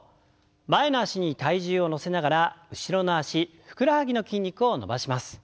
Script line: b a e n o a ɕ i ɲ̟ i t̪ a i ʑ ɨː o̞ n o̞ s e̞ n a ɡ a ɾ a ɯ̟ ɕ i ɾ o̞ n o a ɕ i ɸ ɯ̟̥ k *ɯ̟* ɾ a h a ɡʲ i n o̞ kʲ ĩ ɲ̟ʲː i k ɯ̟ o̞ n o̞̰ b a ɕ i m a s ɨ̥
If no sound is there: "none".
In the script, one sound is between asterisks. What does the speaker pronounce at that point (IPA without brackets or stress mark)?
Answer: ɯ̟